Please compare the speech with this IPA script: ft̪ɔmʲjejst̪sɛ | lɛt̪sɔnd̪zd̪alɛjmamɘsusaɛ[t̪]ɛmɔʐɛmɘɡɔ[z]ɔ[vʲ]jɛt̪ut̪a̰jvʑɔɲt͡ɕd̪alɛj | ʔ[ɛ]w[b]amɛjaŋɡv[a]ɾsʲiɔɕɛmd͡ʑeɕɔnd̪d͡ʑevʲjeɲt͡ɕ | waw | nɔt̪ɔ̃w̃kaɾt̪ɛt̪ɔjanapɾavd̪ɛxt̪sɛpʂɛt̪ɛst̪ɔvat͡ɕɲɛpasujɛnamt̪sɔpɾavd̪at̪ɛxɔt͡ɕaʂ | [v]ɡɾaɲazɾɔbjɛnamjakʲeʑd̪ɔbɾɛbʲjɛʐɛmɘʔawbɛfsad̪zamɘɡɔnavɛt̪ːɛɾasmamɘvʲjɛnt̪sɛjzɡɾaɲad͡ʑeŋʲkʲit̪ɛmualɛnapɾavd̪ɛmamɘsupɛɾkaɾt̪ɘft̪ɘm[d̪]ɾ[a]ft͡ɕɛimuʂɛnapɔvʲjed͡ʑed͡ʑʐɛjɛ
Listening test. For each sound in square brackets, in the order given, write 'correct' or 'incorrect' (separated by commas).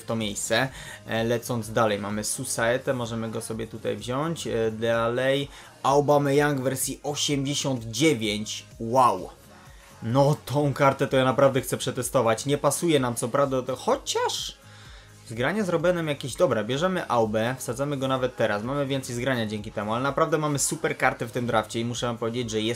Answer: correct, incorrect, incorrect, incorrect, correct, incorrect, incorrect, correct, correct